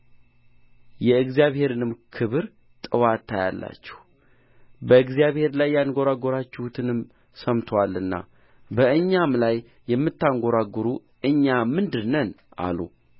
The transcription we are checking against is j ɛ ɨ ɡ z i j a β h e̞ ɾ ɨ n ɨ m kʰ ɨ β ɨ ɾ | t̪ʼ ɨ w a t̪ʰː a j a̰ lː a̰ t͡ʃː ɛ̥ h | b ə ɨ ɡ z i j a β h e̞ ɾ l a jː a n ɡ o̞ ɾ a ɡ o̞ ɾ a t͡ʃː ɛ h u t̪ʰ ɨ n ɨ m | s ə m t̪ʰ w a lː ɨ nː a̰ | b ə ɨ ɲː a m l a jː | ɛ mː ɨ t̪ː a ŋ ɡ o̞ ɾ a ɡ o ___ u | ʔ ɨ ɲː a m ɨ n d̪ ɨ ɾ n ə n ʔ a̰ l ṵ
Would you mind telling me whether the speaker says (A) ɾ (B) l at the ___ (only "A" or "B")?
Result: A